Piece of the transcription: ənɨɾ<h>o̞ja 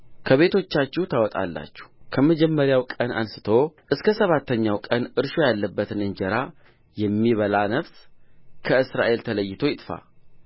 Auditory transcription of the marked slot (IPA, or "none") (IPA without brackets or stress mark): ʃ